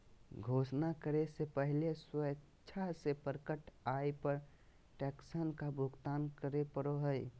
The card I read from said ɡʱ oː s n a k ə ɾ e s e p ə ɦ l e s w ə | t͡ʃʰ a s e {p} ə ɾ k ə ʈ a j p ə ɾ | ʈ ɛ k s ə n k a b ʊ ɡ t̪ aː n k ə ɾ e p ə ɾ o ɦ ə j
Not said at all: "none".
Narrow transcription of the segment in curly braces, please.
p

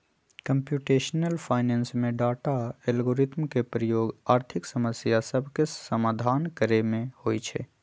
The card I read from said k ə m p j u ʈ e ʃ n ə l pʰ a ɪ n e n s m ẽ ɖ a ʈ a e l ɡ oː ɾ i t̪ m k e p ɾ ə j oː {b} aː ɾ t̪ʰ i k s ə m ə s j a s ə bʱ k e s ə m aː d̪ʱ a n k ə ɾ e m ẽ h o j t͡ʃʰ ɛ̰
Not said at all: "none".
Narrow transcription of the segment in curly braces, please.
ɡ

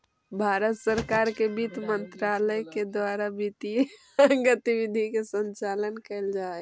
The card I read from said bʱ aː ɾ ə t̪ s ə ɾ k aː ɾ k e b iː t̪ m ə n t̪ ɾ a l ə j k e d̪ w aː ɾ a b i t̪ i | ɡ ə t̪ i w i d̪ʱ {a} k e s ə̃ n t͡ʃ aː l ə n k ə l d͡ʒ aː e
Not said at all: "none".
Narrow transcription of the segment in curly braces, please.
i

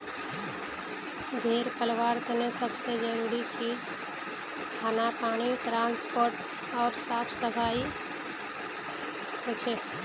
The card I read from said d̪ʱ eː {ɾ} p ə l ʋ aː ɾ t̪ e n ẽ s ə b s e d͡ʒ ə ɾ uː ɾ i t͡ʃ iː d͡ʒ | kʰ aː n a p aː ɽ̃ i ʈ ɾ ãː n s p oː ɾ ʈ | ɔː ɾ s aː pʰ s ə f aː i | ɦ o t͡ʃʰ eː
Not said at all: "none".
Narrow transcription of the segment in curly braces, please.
ɾ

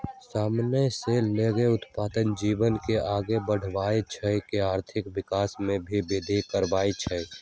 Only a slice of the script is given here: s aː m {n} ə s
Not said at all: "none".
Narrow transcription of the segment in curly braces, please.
n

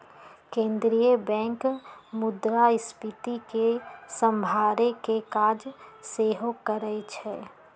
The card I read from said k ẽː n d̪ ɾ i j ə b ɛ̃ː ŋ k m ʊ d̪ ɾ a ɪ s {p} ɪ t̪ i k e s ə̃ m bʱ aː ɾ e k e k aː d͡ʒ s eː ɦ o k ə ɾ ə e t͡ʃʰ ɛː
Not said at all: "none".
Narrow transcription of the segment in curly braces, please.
p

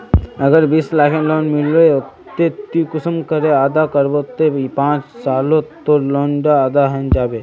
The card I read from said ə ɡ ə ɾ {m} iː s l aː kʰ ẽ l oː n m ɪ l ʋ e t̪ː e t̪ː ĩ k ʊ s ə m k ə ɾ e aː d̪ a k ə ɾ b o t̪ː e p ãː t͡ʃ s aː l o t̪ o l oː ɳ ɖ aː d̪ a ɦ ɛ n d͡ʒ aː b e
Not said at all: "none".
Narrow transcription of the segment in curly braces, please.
b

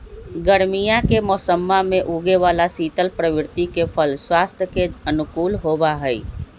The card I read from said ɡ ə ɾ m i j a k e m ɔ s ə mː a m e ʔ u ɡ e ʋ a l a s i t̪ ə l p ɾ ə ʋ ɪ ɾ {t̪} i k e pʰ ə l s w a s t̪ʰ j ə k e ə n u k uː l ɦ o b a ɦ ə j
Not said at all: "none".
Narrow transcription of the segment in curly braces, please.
t̪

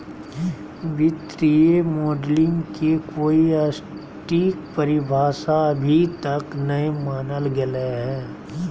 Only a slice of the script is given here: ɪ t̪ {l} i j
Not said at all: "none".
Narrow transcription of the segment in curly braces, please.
ɾ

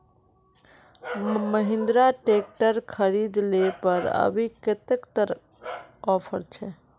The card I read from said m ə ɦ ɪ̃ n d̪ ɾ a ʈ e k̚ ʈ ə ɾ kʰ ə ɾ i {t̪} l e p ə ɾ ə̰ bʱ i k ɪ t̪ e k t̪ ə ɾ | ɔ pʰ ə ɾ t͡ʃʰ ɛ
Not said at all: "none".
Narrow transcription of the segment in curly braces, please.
d̪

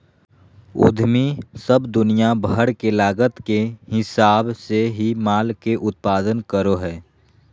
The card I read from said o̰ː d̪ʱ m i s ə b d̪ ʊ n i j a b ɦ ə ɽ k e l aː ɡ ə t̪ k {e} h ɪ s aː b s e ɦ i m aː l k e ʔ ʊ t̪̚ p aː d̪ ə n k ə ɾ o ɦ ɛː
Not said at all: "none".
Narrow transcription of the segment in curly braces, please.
e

